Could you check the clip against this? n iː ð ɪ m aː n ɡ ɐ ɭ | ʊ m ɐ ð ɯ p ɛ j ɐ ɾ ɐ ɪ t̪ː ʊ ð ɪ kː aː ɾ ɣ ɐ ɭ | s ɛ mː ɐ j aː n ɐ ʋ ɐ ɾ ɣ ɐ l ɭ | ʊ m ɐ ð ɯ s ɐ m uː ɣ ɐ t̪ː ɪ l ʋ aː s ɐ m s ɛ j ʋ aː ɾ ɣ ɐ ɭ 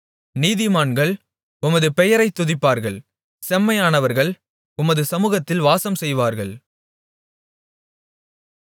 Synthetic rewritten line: n iː ð ɪ m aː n ɡ ɐ ɭ | ʊ m ɐ ð ɯ p ɛ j ɐ ɾ ɐ ɪ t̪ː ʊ ð ɪ pː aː ɾ ɣ ɐ ɭ | s ɛ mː ɐ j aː n ɐ ʋ ɐ ɾ ɣ ɐ ɭ | ʊ m ɐ ð ɯ s ɐ m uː ɣ ɐ t̪ː ɪ l ʋ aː s ɐ m s ɛ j ʋ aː ɾ ɣ ɐ ɭ